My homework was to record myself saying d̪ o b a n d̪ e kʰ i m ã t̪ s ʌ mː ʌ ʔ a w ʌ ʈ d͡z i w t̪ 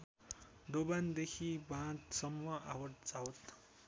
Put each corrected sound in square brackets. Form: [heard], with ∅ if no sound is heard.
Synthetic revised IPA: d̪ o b a n d̪ e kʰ i [b] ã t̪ s ʌ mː ʌ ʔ a w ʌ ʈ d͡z [a] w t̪

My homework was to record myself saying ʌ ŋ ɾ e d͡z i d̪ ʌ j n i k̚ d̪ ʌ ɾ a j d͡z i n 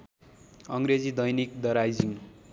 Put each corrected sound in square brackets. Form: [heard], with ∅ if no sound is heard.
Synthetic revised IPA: ʌ ŋ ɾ e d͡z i d̪ ʌ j n i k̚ d̪ ʌ ɾ a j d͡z i [ŋ]

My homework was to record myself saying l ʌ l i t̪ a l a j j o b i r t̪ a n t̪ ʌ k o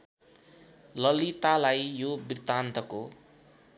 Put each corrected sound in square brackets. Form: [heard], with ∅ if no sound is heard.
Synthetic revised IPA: l ʌ l i t̪ a l a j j o b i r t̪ a n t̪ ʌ k o

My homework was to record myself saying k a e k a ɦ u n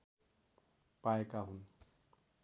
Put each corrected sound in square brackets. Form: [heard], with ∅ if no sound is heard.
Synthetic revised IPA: [p] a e k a ɦ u n

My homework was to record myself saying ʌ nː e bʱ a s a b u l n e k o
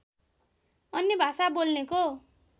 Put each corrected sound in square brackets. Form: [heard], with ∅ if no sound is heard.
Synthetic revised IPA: ʌ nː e bʱ a s a b [o] l n e k o

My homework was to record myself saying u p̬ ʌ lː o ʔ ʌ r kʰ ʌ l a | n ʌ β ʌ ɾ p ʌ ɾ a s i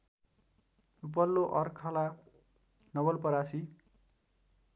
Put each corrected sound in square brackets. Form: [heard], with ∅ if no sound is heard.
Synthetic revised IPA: u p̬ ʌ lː o ʔ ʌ r kʰ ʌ l a | n ʌ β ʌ [l] p ʌ ɾ a s i

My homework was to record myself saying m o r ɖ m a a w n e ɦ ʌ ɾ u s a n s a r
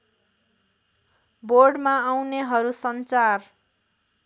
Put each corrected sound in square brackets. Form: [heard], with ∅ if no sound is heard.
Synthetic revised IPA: [b] o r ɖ m a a w n e ɦ ʌ ɾ u s [ʌ] n [t͡s] a r

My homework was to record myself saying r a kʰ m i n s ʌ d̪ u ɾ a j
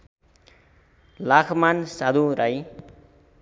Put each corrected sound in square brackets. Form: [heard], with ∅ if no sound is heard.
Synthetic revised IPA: [l] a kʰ m [a] n s [a] d̪ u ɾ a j

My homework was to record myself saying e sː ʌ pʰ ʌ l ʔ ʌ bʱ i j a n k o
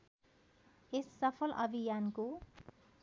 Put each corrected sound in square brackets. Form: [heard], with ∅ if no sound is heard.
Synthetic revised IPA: e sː ʌ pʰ ʌ l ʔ ʌ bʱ i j a n k o

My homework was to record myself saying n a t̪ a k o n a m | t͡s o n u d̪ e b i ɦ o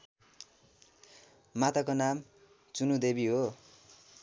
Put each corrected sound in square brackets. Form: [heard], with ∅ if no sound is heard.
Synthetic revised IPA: [m] a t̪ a k o n a m | t͡s [u] n u d̪ e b i ɦ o

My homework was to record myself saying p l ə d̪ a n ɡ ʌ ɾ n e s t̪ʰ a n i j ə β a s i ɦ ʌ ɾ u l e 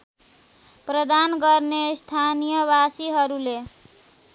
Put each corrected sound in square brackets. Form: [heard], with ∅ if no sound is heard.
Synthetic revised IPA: p [ɾ] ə d̪ a n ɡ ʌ ɾ n e s t̪ʰ a n i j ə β a s i ɦ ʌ ɾ u l e

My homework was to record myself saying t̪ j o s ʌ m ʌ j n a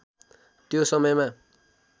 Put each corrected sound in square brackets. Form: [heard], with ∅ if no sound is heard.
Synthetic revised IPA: t̪ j o s ʌ m ʌ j [m] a

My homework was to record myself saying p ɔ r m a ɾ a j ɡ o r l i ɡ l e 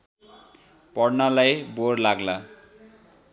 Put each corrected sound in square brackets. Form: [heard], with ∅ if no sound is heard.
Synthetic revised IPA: p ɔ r [n] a [l] a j [b] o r l [a] ɡ l [a]

